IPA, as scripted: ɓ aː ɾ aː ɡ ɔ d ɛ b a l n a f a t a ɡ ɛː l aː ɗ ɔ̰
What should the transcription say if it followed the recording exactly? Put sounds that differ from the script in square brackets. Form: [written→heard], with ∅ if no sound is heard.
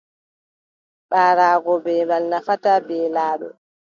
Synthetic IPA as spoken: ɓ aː ɾ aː ɡ ɔ [d→b] ɛ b a l n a f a t a [ɡ→b] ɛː l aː ɗ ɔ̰